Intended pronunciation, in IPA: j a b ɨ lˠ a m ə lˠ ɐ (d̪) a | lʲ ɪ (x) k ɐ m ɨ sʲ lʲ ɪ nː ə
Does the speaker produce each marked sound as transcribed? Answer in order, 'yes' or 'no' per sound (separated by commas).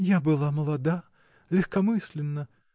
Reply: yes, yes